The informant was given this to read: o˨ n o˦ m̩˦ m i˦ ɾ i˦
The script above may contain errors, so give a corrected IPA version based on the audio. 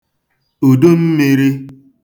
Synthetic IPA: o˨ d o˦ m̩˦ m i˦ ɾ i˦